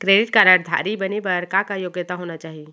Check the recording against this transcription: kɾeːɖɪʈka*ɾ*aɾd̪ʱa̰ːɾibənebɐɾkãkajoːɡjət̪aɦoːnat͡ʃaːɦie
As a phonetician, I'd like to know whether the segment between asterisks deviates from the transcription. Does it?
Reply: no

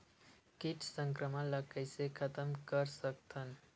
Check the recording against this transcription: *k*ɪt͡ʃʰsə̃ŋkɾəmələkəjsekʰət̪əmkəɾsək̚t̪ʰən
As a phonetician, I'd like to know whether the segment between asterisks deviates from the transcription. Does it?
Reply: no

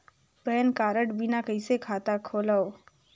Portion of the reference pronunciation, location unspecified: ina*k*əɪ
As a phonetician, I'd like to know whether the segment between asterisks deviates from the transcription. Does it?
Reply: no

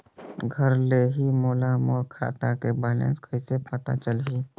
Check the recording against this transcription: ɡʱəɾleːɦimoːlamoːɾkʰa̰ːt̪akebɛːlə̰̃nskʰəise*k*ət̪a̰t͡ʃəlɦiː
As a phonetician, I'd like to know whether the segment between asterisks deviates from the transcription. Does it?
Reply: yes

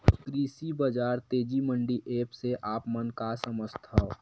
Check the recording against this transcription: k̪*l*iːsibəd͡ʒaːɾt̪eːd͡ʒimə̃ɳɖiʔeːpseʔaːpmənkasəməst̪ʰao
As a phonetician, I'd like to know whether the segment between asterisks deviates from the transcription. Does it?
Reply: yes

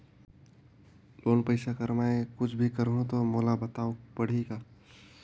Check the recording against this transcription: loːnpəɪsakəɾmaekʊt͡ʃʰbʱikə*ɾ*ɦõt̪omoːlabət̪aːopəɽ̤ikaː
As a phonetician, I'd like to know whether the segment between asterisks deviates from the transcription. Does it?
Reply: no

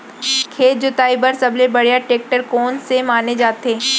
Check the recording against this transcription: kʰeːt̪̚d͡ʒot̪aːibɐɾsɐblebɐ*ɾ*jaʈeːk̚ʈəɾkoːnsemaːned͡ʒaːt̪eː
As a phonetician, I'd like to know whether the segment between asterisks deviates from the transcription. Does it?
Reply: yes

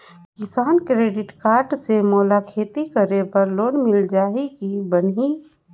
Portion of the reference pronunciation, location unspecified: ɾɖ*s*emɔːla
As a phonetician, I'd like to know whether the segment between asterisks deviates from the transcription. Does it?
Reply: no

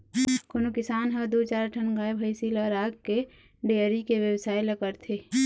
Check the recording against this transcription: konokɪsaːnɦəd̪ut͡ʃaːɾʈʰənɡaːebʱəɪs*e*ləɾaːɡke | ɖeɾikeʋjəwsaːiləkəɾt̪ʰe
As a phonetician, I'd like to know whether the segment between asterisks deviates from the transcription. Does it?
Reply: yes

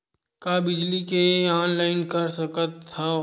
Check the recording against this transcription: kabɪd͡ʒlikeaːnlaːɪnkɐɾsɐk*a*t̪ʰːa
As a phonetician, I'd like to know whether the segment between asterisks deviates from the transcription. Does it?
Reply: yes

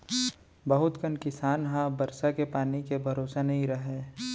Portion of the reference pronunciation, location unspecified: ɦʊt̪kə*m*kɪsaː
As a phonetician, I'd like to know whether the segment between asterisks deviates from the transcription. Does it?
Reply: yes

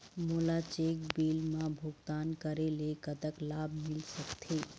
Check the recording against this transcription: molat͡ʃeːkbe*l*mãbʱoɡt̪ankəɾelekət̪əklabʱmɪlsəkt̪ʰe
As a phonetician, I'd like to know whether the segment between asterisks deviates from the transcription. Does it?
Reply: no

